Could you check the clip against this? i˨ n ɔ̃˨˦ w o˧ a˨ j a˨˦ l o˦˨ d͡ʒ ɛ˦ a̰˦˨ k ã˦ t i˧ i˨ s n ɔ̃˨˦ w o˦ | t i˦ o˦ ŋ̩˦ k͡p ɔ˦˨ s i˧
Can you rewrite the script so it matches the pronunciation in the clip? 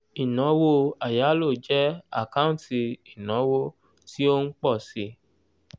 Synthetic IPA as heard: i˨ n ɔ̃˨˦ w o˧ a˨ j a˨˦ l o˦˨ d͡ʒ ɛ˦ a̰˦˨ k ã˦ t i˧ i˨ n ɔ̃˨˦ w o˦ | t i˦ o˦ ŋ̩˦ k͡p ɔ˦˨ s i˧